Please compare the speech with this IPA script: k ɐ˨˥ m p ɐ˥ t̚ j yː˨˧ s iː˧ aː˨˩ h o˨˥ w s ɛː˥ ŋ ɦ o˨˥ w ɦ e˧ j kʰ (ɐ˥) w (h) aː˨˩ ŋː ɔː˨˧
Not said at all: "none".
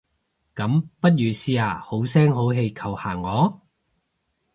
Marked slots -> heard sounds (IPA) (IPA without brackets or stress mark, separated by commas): ɐ˨˩, h